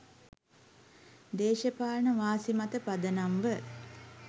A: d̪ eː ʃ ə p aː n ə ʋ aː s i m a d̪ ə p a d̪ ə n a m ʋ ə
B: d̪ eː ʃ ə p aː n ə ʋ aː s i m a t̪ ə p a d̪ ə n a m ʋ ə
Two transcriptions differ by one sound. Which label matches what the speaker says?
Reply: B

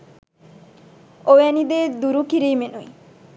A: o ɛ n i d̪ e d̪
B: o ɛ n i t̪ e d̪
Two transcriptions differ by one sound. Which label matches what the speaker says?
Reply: A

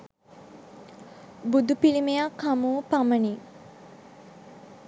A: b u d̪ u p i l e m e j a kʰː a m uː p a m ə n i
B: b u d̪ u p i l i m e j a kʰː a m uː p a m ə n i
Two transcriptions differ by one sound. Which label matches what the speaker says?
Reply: B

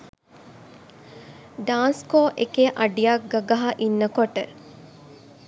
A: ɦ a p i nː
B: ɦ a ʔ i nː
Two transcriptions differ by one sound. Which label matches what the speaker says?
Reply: B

